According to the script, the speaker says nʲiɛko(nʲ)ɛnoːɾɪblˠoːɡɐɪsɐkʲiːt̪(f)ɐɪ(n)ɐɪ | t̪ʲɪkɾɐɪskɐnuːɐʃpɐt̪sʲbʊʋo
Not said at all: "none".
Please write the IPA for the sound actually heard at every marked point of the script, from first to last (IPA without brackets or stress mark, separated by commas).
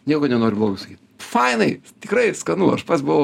nʲ, f, n